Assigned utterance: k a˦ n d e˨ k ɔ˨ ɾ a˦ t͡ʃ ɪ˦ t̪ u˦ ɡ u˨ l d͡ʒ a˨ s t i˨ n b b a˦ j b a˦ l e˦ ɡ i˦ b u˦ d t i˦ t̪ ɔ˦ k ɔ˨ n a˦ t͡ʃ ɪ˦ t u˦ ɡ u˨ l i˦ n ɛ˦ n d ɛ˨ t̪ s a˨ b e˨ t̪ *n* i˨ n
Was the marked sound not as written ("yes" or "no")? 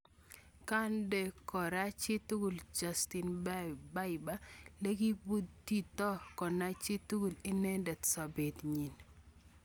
yes